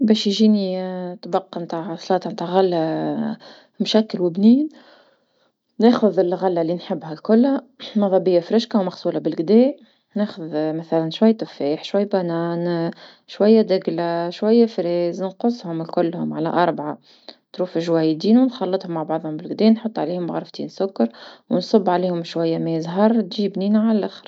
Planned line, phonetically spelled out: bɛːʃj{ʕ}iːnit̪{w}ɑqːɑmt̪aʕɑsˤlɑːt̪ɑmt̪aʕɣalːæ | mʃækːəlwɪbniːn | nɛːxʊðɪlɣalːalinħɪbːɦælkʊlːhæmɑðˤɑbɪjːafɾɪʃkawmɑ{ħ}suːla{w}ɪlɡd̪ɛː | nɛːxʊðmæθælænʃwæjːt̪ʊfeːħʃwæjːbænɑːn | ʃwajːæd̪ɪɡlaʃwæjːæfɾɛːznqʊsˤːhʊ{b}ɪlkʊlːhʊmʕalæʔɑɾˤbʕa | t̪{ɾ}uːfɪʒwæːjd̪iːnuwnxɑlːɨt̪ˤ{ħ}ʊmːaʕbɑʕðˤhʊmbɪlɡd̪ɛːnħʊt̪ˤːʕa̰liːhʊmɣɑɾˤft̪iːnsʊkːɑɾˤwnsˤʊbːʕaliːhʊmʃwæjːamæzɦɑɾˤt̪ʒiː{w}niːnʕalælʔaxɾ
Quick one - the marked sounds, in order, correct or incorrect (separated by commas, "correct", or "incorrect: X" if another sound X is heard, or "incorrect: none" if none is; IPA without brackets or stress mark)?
incorrect: ʒ, incorrect: b, incorrect: x, incorrect: b, incorrect: m, correct, incorrect: h, incorrect: b